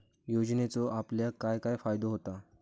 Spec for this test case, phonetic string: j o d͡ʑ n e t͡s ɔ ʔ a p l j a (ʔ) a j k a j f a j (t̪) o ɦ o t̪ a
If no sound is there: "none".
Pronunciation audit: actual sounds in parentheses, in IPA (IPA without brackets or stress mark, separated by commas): k, d̪